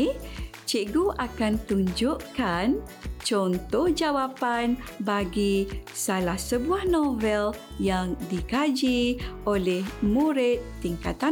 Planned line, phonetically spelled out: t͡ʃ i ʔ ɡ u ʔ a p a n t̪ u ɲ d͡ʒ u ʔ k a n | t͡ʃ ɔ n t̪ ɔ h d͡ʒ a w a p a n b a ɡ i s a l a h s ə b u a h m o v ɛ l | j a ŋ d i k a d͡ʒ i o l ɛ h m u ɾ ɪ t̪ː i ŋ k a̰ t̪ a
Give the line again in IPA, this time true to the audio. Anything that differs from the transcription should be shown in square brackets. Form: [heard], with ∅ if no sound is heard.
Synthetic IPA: t͡ʃ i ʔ ɡ u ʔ a [k] a n t̪ u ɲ d͡ʒ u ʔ k a n | t͡ʃ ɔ n t̪ ɔ h d͡ʒ a w a p a n b a ɡ i s a l a h s ə b u a h [n] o v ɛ l | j a ŋ d i k a d͡ʒ i o l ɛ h m u ɾ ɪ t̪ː i ŋ k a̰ t̪ a